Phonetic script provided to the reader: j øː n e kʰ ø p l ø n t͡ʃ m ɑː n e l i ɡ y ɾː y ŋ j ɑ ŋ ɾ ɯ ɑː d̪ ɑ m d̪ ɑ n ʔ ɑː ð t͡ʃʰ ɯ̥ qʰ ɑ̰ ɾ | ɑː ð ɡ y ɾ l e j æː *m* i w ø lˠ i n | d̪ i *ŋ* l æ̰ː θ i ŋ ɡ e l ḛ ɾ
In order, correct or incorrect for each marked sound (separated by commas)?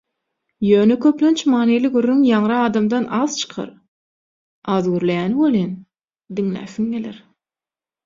incorrect, correct